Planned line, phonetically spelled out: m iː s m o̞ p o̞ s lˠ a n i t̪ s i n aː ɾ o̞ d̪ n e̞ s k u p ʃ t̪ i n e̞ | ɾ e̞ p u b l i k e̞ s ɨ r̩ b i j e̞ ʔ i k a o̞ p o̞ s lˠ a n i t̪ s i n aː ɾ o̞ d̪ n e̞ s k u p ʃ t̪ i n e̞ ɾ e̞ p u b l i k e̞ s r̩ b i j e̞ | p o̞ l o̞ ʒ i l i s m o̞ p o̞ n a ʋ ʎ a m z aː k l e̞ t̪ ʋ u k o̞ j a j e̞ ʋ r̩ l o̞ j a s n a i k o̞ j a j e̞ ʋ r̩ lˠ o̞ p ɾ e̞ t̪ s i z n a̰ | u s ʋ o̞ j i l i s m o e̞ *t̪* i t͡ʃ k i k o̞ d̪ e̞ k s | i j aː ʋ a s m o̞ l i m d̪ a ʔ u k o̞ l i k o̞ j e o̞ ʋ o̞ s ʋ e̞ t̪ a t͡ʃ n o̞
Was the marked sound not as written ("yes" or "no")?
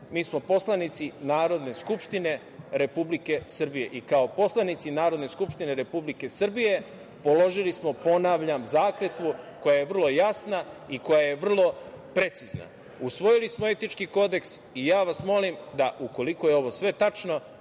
no